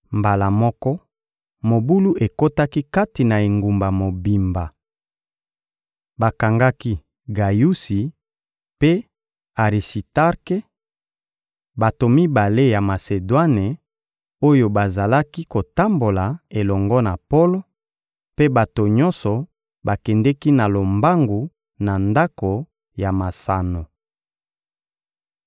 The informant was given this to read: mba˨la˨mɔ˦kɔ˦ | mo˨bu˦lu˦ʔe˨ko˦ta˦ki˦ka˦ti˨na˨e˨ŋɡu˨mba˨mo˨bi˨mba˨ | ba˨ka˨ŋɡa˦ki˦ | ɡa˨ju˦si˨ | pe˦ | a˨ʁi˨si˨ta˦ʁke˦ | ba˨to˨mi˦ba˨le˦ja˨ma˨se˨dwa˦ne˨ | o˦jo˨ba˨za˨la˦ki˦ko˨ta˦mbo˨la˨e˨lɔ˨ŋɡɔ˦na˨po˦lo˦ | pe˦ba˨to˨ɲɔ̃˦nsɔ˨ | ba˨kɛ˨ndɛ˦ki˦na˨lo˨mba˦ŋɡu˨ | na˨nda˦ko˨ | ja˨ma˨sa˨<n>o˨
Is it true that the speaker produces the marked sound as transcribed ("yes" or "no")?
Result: yes